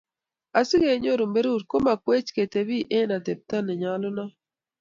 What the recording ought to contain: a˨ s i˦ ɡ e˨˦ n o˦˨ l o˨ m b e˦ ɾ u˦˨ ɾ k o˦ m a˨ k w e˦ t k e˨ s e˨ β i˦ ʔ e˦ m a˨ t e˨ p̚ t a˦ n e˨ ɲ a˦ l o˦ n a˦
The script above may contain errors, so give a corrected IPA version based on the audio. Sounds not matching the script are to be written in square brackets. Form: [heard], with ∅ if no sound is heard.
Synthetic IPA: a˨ s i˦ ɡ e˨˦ [ɲ] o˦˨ [ɾ] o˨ m b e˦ ɾ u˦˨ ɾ k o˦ m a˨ k w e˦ [t͡ʃ] k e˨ [t] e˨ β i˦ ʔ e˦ [n] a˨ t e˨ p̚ t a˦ n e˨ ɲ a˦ l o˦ n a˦